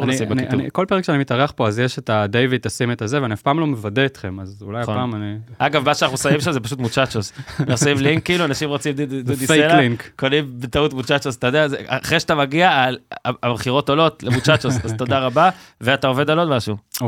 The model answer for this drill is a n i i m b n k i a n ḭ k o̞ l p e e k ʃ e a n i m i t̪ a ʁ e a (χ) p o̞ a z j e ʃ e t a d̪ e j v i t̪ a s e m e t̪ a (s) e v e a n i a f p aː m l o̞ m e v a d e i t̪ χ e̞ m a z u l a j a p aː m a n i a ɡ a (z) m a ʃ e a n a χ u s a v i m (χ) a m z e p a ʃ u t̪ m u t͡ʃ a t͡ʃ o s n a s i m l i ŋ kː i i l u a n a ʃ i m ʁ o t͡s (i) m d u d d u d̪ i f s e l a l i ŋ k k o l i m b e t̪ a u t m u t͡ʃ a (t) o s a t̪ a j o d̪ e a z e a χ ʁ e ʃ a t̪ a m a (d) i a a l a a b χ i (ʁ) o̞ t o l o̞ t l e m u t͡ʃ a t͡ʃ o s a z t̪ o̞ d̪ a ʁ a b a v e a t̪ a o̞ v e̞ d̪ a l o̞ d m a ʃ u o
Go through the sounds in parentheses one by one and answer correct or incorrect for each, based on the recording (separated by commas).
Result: correct, incorrect, incorrect, incorrect, correct, incorrect, incorrect, correct